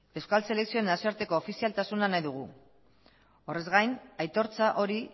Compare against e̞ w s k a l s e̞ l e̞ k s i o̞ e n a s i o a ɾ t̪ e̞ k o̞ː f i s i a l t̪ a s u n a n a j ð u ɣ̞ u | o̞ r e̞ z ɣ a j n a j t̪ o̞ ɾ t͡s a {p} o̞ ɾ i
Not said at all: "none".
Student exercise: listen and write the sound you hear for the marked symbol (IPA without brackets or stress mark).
ʔ